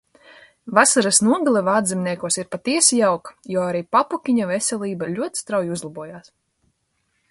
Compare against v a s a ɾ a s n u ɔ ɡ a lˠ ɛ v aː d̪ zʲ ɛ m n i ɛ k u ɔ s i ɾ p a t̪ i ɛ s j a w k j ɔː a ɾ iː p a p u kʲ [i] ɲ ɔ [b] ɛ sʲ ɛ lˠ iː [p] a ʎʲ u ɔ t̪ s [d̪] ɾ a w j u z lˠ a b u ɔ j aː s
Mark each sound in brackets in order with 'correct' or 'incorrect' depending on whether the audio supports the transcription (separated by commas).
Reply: correct, incorrect, incorrect, incorrect